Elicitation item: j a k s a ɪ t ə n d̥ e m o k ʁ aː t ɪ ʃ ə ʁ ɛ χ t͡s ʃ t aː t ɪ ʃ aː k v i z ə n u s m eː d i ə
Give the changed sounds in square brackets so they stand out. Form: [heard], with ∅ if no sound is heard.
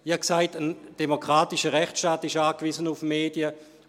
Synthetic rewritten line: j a k s a ɪ t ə n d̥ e m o k ʁ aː t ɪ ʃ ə ʁ ɛ χ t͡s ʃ t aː t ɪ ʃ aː k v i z ə n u [f] m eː d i ə